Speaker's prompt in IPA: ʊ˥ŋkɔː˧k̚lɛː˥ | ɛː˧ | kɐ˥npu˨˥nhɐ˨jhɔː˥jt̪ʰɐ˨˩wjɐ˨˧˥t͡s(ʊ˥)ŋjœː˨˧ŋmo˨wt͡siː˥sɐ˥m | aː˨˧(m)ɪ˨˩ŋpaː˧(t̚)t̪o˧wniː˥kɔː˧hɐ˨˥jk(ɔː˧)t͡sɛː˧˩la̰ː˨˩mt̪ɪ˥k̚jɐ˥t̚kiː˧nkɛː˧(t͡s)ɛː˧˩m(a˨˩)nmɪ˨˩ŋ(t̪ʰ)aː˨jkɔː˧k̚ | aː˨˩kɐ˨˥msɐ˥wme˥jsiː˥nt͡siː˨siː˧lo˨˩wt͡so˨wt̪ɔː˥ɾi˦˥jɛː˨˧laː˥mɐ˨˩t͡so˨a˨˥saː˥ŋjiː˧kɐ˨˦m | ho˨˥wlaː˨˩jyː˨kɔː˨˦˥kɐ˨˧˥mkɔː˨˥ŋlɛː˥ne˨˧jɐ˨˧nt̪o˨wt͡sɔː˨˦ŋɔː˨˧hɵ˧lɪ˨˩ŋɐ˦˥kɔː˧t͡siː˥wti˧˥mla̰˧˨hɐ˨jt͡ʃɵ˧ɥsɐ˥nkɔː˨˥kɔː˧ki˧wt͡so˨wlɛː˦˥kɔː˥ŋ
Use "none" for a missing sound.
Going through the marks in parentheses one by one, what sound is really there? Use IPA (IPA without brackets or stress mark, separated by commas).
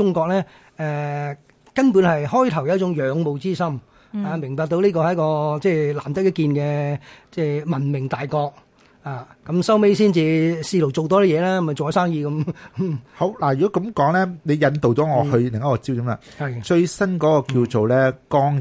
ʊ˨˥, m, k̚, ɔː˧, t͡s, ɐ˨˩, t̪